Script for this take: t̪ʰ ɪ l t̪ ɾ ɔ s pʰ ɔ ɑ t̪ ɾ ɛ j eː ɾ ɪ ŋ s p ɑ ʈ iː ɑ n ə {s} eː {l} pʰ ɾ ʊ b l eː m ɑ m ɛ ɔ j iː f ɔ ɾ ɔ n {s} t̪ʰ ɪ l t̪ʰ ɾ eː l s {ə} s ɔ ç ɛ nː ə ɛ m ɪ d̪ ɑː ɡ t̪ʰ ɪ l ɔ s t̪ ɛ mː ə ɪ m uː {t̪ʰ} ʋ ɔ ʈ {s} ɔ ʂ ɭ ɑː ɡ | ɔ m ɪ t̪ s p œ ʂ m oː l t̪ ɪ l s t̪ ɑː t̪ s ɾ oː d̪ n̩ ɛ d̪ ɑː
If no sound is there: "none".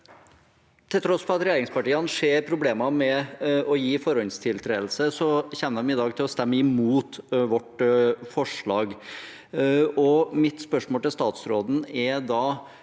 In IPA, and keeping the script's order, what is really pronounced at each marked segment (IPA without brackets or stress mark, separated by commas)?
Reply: ʂ, ɾ, s, ə, t̪, f